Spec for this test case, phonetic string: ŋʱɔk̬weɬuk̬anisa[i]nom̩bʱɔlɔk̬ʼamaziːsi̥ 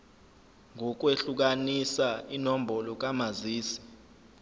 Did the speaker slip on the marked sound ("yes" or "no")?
no